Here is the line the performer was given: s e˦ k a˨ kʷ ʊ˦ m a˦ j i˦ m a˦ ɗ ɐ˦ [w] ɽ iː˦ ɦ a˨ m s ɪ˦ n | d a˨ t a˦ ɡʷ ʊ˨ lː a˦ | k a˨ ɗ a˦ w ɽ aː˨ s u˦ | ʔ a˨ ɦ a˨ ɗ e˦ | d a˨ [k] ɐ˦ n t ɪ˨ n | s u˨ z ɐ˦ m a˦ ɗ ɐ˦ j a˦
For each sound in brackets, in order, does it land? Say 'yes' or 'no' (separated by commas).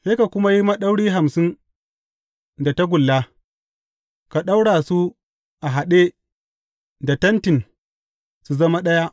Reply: yes, no